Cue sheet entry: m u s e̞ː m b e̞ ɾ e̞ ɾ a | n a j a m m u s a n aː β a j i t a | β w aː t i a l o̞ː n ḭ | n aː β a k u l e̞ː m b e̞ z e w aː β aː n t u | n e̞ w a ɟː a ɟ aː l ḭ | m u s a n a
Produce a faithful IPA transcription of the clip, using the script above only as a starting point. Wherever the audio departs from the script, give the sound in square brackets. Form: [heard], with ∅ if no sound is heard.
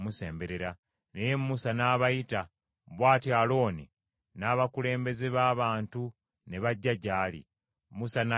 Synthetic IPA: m u s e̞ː m b e̞ ɾ e̞ ɾ a | n [e] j [e] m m u s a n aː β a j i t a | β w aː t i a l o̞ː n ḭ | n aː β a k u l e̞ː m b e̞ z e [β] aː β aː n t u | n e̞ [β] a ɟː a ɟ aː l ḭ | m u s a n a